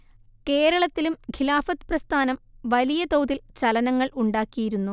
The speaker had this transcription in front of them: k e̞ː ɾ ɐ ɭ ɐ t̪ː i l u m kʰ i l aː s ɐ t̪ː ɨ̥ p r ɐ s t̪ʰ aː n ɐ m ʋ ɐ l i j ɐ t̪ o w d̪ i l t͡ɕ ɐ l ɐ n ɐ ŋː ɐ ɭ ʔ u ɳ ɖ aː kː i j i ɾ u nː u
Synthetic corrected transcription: k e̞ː ɾ ɐ ɭ ɐ t̪ː i l u m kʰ i l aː f ɐ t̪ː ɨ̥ p r ɐ s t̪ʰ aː n ɐ m ʋ ɐ l i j ɐ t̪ o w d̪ i l t͡ɕ ɐ l ɐ n ɐ ŋː ɐ ɭ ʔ u ɳ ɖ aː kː i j i ɾ u nː u

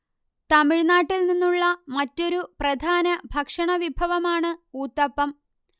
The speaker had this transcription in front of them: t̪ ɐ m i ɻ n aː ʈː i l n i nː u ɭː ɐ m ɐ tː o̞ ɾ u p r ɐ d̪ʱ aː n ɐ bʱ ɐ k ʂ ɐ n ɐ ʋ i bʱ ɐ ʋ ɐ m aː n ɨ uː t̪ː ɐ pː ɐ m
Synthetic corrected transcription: t̪ ɐ m i ɻ n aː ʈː i l n i nː u ɭː ɐ m ɐ tː o̞ ɾ u p r ɐ d̪ʱ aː n ɐ bʱ ɐ k ʂ ɐ ɳ ɐ ʋ i bʱ ɐ ʋ ɐ m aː ɳ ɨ uː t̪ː ɐ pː ɐ m

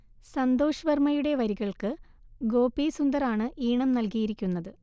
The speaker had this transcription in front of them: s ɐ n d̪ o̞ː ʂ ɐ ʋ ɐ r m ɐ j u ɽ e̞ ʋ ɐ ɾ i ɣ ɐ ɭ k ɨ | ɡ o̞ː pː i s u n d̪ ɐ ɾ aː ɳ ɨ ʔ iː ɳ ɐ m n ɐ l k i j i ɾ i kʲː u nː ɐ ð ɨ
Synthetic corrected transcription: s ɐ n d̪ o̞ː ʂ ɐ ʋ ɐ r m ɐ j u ɽ e̞ ʋ ɐ ɾ i ɣ ɐ ɭ k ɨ | ɡ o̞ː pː i s u n d̪ ɐ ɾ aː ɳ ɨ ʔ iː ɳ ɐ m n ɐ l k i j i ɾ i kʲː u nː ɐ ð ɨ

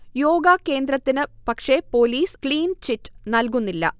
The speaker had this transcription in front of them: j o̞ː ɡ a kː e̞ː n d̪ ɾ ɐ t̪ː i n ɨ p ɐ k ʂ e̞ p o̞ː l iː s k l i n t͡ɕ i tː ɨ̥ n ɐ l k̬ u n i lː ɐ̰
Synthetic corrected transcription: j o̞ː ɡ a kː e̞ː n d̪ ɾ ɐ t̪ː i n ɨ p ɐ k ʂ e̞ p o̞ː l iː s k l iː n t͡ɕ i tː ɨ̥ n ɐ l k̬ u nː i lː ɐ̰

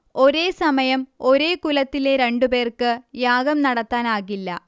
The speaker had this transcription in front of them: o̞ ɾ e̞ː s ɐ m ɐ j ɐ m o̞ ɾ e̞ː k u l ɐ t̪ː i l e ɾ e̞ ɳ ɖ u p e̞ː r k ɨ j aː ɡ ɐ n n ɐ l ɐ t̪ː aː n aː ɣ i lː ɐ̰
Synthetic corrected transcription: o̞ ɾ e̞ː s ɐ m ɐ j ɐ m o̞ ɾ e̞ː k u l ɐ t̪ː i l e ɾ e̞ ɳ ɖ u p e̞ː r k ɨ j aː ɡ ɐ m n ɐ ɽ ɐ t̪ː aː n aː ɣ i lː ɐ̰

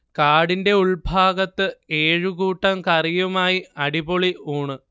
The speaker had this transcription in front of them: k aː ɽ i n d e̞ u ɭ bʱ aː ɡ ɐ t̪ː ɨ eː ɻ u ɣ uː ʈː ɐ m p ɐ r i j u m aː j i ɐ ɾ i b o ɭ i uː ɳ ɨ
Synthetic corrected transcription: k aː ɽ i n d e̞ u ɭ bʱ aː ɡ ɐ t̪ː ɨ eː ɻ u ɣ uː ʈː ɐ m k ɐ r i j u m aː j i ɐ ɽ i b o ɭ i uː ɳ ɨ

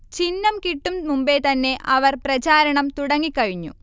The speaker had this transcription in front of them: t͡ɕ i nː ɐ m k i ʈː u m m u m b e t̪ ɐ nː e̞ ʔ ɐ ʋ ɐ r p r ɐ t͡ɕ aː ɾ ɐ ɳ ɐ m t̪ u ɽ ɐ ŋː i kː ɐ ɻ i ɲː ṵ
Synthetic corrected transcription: t͡ɕ i nː ɐ m k i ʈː u m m u m b e t̪ ɐ nː e̞ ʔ ɐ ʋ ɐ r p r ɐ t͡ɕ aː ɾ ɐ ɳ ɐ m t̪ u ɽ ɐ ŋː i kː ɐ ɻ i ɲː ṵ

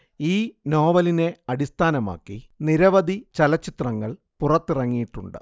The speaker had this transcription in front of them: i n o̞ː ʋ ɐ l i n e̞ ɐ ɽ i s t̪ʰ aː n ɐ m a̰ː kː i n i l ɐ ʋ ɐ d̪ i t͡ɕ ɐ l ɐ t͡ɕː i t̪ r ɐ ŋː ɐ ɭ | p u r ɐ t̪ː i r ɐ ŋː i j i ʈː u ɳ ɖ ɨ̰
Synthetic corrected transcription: iː n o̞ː ʋ ɐ l i n e̞ ɐ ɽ i s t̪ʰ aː n ɐ m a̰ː kː i n i ɾ ɐ ʋ ɐ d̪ i t͡ɕ ɐ l ɐ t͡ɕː i t̪ r ɐ ŋː ɐ ɭ | p u r ɐ t̪ː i r ɐ ŋː i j i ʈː u ɳ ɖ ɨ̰

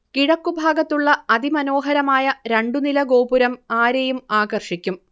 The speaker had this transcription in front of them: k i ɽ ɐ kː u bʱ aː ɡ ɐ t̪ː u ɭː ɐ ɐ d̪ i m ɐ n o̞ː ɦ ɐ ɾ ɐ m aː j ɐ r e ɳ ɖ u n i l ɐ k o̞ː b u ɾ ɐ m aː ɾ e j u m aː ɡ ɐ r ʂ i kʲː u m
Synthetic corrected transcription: k i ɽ ɐ kː u bʱ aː ɡ ɐ t̪ː u ɭː ɐ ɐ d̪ i m ɐ n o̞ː ɦ ɐ ɾ ɐ m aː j ɐ ɾ e ɳ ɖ u n i l ɐ ɡ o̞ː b u ɾ ɐ m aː ɾ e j u m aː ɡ ɐ r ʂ i kʲː u m

